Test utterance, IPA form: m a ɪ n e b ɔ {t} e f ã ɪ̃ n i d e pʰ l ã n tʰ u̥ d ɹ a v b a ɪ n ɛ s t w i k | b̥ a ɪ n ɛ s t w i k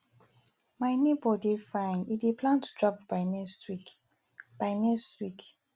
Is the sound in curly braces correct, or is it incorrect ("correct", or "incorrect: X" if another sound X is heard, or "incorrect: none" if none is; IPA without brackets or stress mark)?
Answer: incorrect: d